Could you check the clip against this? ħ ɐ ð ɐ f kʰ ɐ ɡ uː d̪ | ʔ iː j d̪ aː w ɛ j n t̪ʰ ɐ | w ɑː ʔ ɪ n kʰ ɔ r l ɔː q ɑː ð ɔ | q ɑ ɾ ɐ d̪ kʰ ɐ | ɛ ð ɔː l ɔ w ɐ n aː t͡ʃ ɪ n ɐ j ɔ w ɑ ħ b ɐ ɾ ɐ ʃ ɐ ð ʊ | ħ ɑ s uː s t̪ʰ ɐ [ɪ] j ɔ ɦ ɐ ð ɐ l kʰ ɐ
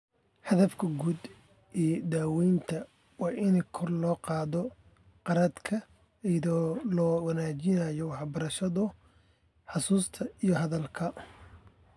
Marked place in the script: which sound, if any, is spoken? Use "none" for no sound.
i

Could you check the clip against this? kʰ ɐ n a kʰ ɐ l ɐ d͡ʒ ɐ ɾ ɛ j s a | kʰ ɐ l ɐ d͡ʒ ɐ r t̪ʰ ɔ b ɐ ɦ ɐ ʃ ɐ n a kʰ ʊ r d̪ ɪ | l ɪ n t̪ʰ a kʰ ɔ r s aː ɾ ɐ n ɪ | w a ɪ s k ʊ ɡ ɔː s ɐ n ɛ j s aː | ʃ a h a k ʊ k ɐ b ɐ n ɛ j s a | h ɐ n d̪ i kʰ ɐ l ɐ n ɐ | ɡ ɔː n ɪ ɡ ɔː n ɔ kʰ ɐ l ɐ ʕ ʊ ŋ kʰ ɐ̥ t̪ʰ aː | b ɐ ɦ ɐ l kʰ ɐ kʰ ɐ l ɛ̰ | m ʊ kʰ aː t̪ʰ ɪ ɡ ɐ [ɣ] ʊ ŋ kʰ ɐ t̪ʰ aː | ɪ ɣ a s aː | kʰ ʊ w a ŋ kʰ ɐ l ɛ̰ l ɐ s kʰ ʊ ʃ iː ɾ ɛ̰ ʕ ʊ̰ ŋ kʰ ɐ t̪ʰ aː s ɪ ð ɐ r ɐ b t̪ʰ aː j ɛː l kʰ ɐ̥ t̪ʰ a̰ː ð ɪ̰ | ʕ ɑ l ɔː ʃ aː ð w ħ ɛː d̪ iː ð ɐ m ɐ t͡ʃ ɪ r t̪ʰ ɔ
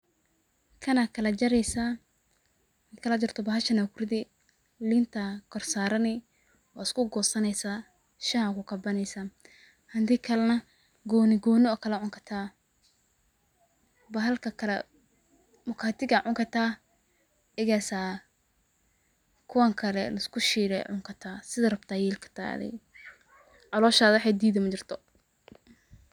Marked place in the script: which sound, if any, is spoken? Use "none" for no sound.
ʕ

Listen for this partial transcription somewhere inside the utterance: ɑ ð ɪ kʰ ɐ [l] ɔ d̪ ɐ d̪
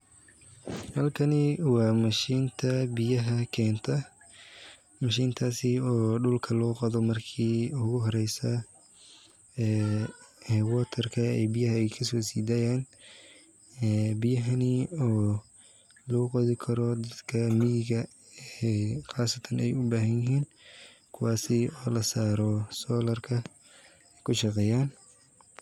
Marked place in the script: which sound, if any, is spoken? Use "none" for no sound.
ɾ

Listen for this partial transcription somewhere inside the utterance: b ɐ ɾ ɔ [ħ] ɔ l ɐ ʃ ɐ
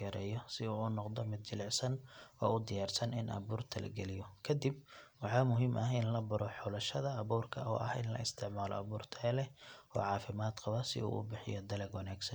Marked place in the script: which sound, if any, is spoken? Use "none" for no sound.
ħ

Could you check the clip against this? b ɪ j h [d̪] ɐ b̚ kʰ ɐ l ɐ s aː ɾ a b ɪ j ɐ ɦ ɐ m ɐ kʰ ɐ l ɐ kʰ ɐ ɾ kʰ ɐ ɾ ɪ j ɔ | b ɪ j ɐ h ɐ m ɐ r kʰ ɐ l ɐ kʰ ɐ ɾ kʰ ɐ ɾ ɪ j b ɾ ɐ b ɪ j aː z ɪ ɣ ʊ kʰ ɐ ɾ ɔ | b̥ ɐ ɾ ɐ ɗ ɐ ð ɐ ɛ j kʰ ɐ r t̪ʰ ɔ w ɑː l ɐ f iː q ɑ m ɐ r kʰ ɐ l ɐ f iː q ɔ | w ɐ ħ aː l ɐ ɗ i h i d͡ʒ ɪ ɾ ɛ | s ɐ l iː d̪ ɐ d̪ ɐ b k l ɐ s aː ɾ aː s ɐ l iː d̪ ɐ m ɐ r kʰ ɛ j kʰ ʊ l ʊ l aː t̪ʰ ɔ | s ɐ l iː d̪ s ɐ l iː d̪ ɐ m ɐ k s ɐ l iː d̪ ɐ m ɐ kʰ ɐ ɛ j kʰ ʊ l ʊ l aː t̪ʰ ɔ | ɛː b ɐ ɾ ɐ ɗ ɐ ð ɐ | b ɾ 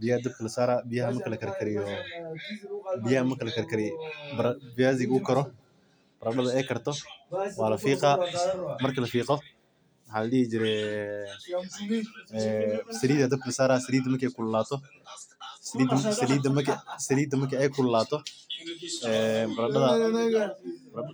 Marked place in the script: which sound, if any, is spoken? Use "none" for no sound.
d̪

